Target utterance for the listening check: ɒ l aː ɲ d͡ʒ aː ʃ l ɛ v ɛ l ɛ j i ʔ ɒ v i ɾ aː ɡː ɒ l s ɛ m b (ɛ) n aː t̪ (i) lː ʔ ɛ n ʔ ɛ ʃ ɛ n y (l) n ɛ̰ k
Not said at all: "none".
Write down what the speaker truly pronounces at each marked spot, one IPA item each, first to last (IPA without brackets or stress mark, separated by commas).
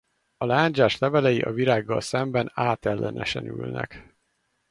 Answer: ɛ, ɛ, l